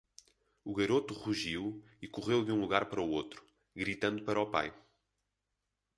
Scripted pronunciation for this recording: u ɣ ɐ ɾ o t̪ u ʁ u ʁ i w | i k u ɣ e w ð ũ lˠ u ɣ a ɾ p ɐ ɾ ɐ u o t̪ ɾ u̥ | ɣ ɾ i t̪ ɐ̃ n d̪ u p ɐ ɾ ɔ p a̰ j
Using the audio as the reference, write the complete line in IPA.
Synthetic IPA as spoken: u ɣ ɐ ɾ o t̪ u ʁ u ʒ i w | i k u ʁ e w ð ũ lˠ u ɣ a ɾ p ɐ ɾ ɐ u o t̪ ɾ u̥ | ɣ ɾ i t̪ ɐ̃ n d̪ u p ɐ ɾ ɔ p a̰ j